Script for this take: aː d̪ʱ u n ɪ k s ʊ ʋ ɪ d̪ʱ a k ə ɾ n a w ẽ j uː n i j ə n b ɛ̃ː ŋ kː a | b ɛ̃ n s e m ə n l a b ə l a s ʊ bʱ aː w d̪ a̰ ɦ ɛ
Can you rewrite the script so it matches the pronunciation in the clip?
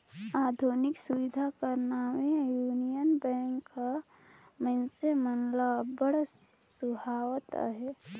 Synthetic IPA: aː d̪ʱ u n ɪ k s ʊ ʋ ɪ d̪ʱ a k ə ɾ n a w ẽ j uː n i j ə n b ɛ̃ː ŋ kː a | m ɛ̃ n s e m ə n l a b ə ɽ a s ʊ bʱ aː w t̪ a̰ ɦ ɛ